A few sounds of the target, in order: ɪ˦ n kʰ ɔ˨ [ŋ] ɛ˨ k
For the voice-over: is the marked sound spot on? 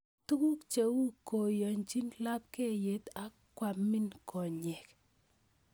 no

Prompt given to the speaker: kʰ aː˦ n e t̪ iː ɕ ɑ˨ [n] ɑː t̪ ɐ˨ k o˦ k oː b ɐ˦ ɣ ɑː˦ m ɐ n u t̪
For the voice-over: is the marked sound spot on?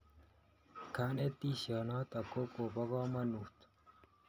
yes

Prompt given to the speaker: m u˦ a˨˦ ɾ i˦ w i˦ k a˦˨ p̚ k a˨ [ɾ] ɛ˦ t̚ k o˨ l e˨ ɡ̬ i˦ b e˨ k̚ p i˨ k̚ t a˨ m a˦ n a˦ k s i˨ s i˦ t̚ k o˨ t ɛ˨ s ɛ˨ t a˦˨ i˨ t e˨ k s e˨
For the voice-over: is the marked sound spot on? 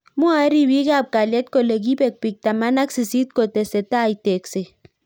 no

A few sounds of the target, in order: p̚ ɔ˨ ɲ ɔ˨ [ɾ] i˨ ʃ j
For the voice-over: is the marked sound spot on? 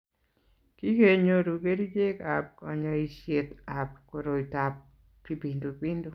no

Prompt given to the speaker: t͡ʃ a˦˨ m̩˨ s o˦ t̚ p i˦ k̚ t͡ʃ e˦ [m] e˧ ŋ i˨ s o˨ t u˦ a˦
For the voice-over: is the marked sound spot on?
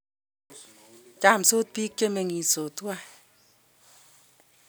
yes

